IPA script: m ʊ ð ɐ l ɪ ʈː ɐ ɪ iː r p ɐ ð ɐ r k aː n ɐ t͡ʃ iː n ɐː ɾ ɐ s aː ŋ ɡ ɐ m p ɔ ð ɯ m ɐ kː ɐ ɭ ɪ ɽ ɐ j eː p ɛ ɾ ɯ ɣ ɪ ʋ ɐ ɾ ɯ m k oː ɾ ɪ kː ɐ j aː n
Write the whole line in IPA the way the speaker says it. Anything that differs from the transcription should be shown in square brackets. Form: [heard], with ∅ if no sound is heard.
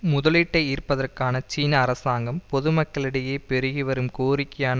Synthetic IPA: m ʊ ð ɐ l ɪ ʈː ɐ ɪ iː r p ɐ ð ɐ r k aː n ɐ t͡ʃ iː n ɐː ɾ ɐ s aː ŋ ɡ ɐ m p ɔ ð ɯ m ɐ kː ɐ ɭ ɪ ɽ ɐ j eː p ɛ ɾ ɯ ɣ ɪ ʋ ɐ ɾ ɯ m k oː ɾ ɪ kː ɐ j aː n